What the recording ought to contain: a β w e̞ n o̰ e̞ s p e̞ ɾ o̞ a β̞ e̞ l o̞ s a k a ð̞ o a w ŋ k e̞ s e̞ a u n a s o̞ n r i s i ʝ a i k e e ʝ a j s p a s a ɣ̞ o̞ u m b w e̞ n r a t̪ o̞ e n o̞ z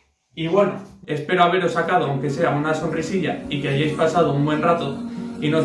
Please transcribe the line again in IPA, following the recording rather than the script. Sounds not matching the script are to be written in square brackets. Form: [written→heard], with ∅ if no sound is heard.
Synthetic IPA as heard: [a→i] β w e̞ n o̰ e̞ s p e̞ ɾ o̞ a β̞ e̞ [l→ɾ] o̞ s a k a ð̞ o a w ŋ k e̞ s e̞ a u n a s o̞ n r i s i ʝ a i k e [e→a] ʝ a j s p a s a [ɣ̞→ð̞] o̞ u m b w e̞ n r a t̪ o̞ [e→i] n o̞ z

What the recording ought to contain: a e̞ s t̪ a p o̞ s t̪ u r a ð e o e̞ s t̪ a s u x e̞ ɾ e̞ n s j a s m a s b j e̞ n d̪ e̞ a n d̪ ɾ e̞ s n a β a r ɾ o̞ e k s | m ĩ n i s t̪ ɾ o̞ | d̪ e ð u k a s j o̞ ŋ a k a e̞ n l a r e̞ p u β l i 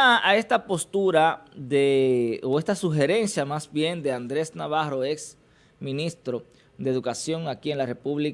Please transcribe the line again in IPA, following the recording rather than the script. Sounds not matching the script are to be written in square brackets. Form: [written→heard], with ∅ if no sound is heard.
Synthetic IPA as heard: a e̞ s t̪ a p o̞ s t̪ u [r→ɾ] a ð e o e̞ s t̪ a s u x e̞ ɾ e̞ n s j a [s→∅] m a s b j e̞ n d̪ e̞ a n d̪ ɾ e̞ s n a β a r ɾ o̞ e k s | m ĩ n i s t̪ ɾ o̞ | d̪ e ð u k a s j o̞ ŋ a k [a→i] e̞ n l a r e̞ p u β l i

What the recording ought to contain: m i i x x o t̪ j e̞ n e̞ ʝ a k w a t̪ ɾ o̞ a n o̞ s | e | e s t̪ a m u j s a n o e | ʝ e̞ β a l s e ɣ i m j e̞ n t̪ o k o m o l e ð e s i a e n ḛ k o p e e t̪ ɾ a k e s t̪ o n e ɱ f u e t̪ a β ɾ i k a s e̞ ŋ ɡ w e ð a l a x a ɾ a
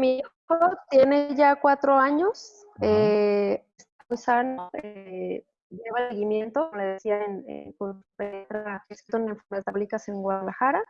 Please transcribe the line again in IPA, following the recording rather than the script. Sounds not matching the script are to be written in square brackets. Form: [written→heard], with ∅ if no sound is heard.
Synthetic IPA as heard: m i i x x o t̪ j e̞ n e̞ ʝ a k w a t̪ ɾ o̞ a [n→ɲ] o̞ s | e | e s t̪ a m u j s a n o e | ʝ e̞ β a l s e ɣ i m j e̞ n t̪ o k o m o l e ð e s i a e n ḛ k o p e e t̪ ɾ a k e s t̪ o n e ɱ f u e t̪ a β [ɾ→l] i k a s e̞ ŋ ɡ w [e→a] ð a l a x a ɾ a

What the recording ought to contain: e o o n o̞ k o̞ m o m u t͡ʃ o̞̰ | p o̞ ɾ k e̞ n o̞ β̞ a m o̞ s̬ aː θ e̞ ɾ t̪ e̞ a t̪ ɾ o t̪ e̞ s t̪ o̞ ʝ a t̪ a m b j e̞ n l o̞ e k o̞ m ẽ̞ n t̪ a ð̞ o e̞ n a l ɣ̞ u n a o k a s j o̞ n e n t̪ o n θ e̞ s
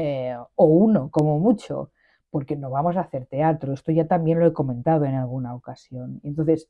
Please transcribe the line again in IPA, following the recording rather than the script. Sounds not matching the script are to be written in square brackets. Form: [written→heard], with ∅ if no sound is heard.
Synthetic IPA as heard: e o [o→u] n o̞ k o̞ m o m u t͡ʃ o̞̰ | p o̞ ɾ k e̞ n o̞ β̞ a m o̞ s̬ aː θ e̞ ɾ t̪ e̞ a t̪ ɾ o [t̪→∅] e̞ s t̪ o̞ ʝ a t̪ a m b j e̞ n l o̞ e k o̞ m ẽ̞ n t̪ a ð̞ o e̞ n a l ɣ̞ u n a o k a s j o̞ n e n t̪ o n θ e̞ s

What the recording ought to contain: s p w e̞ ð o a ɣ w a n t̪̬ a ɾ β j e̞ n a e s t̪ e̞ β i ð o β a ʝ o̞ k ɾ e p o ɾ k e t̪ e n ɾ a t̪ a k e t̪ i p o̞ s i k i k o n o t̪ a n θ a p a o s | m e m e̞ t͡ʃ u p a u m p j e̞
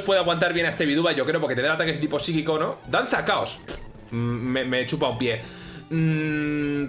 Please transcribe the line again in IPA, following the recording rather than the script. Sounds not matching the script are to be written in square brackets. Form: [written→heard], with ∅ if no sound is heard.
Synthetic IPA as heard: s p w e̞ ð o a ɣ w a n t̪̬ a ɾ β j e̞ n a e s t̪ e̞ β i ð [o→u] β a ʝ o̞ k ɾ e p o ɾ k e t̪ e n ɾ a t̪ a k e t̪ i p o̞ s i k i k o n o [t̪→d̪] a n θ a [p→k] a o s | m e m e̞ t͡ʃ u p a u m p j e̞

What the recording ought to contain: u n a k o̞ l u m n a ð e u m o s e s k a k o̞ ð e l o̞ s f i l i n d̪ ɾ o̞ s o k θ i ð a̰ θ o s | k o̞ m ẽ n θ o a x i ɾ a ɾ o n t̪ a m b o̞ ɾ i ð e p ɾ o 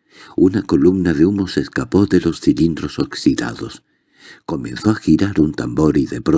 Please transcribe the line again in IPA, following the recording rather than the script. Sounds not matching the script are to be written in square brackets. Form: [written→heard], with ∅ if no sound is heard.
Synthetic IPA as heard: u n a k o̞ l u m n a ð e u m o s e s k a [k→p] o̞ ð e l o̞ s [f→θ] i l i n d̪ ɾ o̞ s o k [θ→s] i ð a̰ [θ→ð] o s | k o̞ m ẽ n θ o a x i ɾ a ɾ [o→u] n t̪ a m b o̞ ɾ i ð e p ɾ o

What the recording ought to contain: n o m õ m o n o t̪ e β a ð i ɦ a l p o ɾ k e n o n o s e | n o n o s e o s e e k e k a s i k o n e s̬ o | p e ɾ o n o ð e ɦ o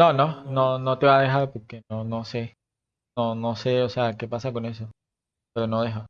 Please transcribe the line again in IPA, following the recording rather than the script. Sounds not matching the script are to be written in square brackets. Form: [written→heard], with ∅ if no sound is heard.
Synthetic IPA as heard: n o [m→n] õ [m→n] o n o t̪ e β a ð [i→e] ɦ a [l→ɾ] p o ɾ k e n o n o s e | n o n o s e o s e [e→a] k e [k→p] a s [i→a] k o n e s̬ o | p e ɾ o n o ð e ɦ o

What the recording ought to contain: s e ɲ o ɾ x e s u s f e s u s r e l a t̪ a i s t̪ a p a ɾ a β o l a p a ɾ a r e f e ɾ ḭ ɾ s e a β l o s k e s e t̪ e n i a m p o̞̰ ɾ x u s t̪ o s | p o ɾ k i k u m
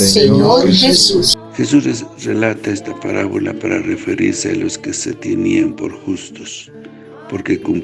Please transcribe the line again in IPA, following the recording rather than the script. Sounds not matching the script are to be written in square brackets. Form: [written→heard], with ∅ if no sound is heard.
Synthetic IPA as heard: s e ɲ o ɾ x e s u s [f→x] e s u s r e l a t̪ a [i→e] s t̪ a p a ɾ a β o l a p a ɾ a r e f e ɾ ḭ ɾ s e a [β→∅] l o s k e s e t̪ e n i a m p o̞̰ ɾ x u s t̪ o s | p o ɾ k [i→e] k u m

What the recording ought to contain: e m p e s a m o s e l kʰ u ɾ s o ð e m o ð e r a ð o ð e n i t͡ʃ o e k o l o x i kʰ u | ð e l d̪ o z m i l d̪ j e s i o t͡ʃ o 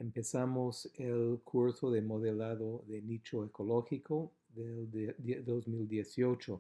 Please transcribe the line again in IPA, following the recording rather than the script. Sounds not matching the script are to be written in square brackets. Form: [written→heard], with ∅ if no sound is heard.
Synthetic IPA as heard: e m p e s a m o s e l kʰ u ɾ s o ð e m o ð e [r→l] a ð o ð e n i t͡ʃ o e k o l o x i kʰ [u→o] | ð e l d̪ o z m i l d̪ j e s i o t͡ʃ o

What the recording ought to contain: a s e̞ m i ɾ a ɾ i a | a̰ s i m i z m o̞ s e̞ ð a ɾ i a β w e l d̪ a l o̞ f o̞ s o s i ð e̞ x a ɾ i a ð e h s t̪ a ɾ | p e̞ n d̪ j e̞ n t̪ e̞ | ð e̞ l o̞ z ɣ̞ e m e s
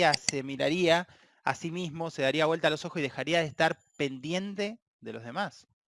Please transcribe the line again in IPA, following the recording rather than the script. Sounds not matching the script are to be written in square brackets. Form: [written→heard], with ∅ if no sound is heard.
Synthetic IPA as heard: a s e̞ m i ɾ a ɾ i a | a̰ s i m i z m o̞ s e̞ ð a ɾ i a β w e l [d̪→t̪] a l o̞ [f→s] o̞ [s→x] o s i ð e̞ x a ɾ i a ð e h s t̪ a ɾ | p e̞ n d̪ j e̞ n t̪ e̞ | ð e̞ l o̞ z [ɣ̞→ð̞] e m [e→a] s

